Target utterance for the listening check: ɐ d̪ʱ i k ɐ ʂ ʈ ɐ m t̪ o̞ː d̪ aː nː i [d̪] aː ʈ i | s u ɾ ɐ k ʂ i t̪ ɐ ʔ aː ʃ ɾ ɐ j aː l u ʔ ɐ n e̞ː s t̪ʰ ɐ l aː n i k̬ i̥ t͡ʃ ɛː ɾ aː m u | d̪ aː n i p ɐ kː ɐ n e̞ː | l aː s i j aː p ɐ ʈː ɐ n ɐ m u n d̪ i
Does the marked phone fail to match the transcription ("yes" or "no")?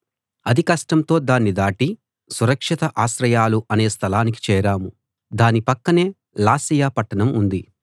no